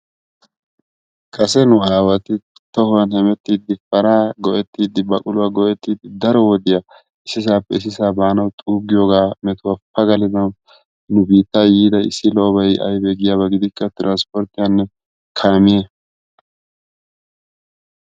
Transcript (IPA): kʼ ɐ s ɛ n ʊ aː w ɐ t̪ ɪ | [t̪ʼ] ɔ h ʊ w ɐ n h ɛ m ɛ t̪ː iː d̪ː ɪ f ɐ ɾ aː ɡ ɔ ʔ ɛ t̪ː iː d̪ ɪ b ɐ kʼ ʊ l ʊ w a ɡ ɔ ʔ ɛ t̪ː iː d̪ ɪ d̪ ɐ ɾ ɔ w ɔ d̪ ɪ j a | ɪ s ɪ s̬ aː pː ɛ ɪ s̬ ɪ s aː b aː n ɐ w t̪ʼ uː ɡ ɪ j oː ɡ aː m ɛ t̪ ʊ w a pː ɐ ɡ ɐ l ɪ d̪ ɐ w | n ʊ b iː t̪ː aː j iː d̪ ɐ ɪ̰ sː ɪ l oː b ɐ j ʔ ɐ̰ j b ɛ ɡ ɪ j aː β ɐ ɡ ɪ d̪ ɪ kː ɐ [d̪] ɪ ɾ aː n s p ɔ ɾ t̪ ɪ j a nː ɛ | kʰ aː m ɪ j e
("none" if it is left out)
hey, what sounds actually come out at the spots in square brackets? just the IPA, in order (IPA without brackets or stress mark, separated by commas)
t̪, t̪